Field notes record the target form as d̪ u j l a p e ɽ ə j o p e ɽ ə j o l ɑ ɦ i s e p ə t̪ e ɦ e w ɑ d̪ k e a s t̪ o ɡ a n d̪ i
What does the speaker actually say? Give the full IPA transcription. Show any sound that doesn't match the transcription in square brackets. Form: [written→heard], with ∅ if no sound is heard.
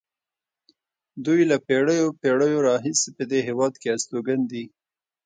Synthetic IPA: d̪ u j l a p e ɽ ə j o p e ɽ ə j o [l→ɾ] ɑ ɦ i s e p ə [t̪→d̪] e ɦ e w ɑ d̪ k e a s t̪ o ɡ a n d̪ i